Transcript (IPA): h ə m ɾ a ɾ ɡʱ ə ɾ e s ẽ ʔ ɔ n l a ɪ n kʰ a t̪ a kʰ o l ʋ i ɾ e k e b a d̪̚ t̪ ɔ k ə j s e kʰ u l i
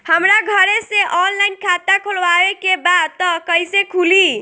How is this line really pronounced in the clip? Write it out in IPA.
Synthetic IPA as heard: h ə m ɾ a ɡʱ ə ɾ e s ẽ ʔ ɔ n l a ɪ n kʰ a t̪ a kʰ o l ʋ a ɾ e k e b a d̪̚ t̪ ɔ k ə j s e kʰ u l i

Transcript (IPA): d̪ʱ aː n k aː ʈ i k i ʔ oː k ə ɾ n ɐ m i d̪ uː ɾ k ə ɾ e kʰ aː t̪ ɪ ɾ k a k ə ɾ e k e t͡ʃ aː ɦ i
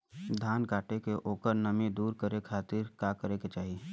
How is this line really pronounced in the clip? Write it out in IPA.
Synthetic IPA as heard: d̪ʱ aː n k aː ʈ e k e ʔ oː k ə ɾ n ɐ m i d̪ uː ɾ k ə ɾ e kʰ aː t̪ ɪ ɾ k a k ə ɾ e k e t͡ʃ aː ɦ i

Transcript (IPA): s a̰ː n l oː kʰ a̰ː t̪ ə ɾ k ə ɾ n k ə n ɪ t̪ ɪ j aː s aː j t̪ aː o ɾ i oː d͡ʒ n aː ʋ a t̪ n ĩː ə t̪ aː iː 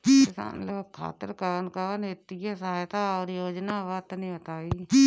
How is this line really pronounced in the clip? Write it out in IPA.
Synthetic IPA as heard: s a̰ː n l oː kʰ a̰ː t̪ ə ɾ k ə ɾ n k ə n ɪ t̪ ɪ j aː s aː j t̪ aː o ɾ j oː d͡ʒ n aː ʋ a t̪ n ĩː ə t̪ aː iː

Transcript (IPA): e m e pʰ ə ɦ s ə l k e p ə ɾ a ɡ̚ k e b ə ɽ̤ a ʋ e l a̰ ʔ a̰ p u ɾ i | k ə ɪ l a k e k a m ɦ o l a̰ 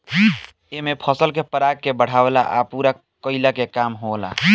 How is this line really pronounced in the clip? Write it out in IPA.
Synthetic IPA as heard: e m e pʰ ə s ə l k e p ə ɾ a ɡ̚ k e b ə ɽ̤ a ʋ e l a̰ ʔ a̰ p u ɾ a | k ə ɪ l a k e k a m ɦ o l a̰

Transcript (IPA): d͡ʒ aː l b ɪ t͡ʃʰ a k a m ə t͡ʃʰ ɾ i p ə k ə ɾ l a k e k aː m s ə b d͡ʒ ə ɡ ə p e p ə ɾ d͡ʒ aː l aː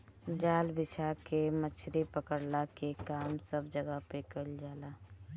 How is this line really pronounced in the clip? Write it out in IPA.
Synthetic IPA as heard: d͡ʒ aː l b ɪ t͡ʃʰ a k e m ə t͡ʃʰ ɾ i p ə k ə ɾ l a k e k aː m s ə b d͡ʒ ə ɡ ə p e k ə l d͡ʒ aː l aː

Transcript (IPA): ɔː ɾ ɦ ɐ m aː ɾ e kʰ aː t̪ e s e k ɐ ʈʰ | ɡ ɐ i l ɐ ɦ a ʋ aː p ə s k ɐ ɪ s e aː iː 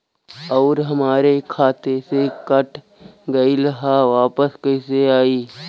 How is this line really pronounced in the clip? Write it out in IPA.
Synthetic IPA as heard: ɔː ɾ ɦ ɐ m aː ɾ e kʰ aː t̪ e s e k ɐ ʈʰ | ɡ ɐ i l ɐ ɦ a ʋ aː p ə s k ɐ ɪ s e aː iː

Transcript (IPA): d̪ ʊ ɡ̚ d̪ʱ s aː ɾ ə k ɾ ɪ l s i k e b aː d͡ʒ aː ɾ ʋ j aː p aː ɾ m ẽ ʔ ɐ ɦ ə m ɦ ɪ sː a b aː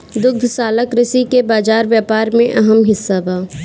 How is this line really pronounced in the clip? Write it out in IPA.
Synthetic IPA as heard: d̪ ʊ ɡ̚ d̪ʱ s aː l ə k ɾ ɪ s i k e b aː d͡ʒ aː ɾ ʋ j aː p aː ɾ m ẽ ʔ ɐ ɦ ə m ɦ ɪ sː a b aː

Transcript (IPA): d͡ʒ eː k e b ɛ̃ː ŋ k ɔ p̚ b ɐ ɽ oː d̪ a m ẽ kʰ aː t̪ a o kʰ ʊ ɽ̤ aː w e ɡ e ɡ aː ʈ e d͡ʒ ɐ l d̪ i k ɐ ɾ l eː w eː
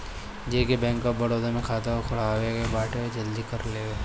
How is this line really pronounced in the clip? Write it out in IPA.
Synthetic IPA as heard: d͡ʒ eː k e b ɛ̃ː ŋ k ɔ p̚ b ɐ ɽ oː d̪ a m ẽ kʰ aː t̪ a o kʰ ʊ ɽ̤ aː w e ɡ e b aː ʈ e d͡ʒ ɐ l d̪ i k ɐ ɾ l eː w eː

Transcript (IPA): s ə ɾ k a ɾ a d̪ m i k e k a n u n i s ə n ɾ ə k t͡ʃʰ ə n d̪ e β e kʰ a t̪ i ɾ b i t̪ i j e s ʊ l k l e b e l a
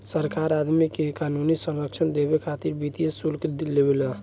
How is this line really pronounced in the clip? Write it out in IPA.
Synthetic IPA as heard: s ə ɾ k a ɾ a d̪ m i k e k a n u n i s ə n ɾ ə k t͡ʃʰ ə n d̪ e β e kʰ a t̪ i ɾ b i t̪ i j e s u l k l e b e l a

